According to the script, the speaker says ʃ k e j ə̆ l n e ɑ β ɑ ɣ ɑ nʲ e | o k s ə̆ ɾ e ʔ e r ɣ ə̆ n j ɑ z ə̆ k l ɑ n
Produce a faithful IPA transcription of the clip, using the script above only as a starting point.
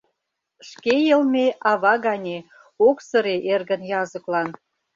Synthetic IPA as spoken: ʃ k e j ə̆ l m e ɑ β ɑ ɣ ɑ nʲ e | o k s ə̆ ɾ e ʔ e r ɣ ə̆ n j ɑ z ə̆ k l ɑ n